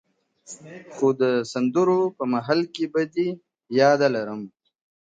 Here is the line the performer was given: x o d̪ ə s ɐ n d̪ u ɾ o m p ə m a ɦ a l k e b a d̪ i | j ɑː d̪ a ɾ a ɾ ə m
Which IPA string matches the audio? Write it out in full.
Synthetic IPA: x o d̪ ə s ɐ n d̪ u ɾ o p ə m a ɦ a l k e b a d̪ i | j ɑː d̪ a l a ɾ ə m